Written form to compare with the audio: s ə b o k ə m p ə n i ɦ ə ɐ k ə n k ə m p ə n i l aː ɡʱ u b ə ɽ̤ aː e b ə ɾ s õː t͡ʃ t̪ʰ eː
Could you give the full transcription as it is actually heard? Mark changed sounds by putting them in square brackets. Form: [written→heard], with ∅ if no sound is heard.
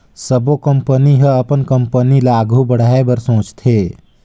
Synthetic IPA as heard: s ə b o k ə m p ə n i ɦ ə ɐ [k→p] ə n k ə m p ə n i l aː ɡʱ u b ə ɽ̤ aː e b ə ɾ s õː t͡ʃ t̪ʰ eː

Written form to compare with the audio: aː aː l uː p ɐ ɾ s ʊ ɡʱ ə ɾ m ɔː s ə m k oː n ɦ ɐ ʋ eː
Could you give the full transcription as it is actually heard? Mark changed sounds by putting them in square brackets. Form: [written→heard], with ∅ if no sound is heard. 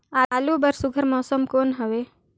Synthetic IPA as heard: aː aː l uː [p→b] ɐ ɾ s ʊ ɡʱ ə ɾ m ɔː s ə m k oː n ɦ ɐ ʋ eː

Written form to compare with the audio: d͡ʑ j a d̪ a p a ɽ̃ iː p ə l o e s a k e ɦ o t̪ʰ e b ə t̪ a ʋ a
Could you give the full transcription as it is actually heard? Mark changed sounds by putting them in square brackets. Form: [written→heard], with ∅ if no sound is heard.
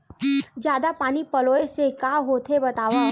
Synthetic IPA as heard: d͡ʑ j a d̪ a p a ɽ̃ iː p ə l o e s [a→e] k [e→a] ɦ o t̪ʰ e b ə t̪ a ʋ a

